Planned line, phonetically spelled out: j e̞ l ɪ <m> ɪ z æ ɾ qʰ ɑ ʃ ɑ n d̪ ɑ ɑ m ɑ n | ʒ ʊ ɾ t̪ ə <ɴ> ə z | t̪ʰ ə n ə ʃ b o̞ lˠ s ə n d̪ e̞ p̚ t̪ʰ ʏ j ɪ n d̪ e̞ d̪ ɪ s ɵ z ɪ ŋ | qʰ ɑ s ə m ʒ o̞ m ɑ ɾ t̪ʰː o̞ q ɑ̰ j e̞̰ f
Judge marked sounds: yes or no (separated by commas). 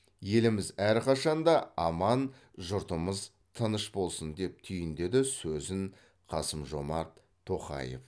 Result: yes, no